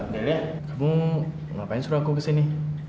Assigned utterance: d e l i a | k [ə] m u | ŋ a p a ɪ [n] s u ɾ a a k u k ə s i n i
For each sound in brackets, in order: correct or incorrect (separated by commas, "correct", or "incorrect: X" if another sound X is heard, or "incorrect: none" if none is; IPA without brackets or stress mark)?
incorrect: a, correct